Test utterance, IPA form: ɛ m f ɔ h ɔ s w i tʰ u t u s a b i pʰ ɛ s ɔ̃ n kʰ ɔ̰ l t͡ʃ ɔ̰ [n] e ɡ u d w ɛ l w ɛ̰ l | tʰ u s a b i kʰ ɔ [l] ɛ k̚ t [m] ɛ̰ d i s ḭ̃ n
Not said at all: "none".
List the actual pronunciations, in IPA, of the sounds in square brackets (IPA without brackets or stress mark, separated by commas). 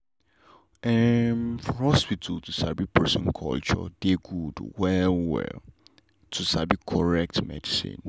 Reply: d, ɹ, m